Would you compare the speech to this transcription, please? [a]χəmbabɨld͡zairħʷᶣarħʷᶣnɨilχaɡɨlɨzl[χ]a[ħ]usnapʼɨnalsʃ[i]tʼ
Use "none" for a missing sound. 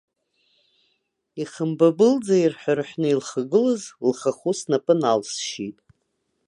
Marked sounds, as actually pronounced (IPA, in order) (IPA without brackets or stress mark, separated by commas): i, χ, χ, i